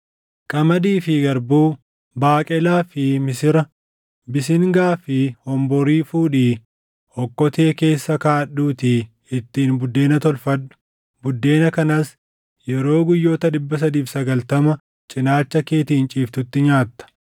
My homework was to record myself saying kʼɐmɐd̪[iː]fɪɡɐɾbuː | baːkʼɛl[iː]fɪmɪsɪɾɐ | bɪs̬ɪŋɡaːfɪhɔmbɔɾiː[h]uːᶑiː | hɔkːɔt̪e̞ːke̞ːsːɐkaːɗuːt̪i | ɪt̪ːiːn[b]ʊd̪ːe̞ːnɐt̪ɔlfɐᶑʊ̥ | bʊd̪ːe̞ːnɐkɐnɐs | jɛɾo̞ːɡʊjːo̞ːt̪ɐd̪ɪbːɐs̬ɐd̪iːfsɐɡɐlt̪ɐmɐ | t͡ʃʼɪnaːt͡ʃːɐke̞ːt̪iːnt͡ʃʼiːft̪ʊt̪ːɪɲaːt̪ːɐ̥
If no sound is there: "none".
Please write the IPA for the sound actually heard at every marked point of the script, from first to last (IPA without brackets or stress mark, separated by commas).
iː, aː, f, b